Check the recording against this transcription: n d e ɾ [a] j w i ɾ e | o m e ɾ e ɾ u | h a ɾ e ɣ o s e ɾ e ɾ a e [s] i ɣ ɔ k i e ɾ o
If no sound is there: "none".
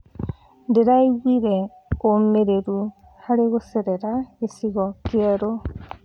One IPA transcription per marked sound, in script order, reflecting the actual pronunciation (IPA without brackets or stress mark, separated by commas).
a, s